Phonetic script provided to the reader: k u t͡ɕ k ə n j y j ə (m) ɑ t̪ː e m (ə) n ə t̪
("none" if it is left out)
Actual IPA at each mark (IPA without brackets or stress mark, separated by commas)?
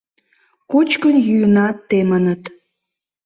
n, ə